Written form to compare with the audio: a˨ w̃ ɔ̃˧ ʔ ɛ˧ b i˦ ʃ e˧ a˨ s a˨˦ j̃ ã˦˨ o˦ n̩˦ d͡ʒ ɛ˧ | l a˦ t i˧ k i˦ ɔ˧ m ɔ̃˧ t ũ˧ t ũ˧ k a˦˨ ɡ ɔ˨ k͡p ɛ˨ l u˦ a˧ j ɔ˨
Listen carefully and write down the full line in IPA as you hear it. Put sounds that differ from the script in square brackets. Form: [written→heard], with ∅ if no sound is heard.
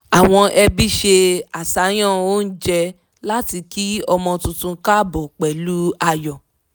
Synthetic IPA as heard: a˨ w̃ ɔ̃˧ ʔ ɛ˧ b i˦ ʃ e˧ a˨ s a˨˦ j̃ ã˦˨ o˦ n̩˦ d͡ʒ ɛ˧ | l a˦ t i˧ k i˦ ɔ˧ m ɔ̃˧ t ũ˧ t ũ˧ k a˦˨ [ɡ→b] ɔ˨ k͡p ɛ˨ l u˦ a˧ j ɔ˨